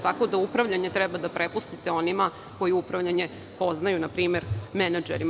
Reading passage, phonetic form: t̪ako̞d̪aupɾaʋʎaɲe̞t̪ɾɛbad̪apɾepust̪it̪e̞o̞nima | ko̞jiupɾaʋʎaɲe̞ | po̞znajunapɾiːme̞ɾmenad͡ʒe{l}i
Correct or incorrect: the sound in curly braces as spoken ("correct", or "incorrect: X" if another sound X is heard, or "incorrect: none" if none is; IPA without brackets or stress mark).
incorrect: ɾ